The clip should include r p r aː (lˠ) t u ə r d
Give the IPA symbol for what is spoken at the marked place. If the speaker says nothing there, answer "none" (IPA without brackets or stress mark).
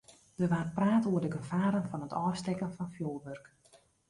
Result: none